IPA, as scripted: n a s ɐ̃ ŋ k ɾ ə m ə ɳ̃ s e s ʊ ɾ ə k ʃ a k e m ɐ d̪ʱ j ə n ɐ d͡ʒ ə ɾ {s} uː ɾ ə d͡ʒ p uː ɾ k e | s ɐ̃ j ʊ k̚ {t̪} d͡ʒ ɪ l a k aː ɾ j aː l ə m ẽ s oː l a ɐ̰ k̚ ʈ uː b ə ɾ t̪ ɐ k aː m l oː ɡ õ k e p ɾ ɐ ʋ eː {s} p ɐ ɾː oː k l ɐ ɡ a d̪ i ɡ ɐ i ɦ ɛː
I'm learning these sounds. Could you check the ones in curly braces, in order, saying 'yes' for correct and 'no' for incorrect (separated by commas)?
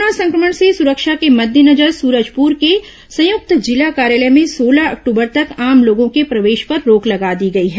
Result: yes, yes, no